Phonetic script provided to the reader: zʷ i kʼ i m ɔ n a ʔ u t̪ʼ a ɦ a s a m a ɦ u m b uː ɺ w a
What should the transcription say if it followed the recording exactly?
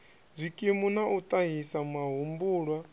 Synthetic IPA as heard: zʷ i kʼ i m u n a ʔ u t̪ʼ a ɦ i s a m a ɦ u m b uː ɺ w a